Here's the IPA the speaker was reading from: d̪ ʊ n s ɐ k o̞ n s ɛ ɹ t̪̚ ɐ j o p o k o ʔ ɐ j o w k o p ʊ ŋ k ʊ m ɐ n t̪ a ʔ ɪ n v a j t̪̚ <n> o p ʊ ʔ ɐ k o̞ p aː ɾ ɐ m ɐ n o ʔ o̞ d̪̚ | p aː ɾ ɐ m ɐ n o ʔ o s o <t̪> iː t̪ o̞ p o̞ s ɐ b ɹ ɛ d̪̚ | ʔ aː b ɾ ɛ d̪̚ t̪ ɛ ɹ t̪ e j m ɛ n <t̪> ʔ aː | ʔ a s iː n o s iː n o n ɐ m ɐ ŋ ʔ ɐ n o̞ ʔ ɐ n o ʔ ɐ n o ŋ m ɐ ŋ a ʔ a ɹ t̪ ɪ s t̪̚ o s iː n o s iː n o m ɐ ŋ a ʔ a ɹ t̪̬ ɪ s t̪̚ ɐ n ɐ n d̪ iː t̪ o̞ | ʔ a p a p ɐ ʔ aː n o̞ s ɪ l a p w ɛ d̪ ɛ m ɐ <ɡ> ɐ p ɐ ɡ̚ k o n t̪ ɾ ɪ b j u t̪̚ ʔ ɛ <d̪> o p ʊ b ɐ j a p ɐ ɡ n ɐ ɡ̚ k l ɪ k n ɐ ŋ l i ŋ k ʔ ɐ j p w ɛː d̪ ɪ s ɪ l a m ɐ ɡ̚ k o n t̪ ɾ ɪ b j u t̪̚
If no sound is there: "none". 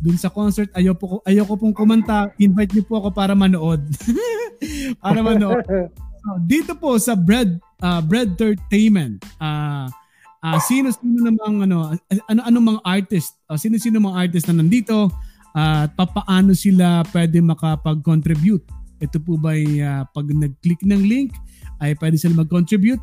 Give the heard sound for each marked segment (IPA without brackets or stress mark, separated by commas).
ɲ, d̪, t̪, k, t̪